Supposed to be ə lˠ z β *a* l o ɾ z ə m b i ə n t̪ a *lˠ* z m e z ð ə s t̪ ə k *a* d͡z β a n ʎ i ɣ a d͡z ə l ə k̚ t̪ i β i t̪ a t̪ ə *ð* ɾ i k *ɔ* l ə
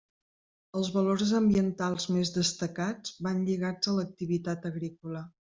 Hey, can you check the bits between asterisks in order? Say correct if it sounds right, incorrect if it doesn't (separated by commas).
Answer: incorrect, correct, correct, incorrect, incorrect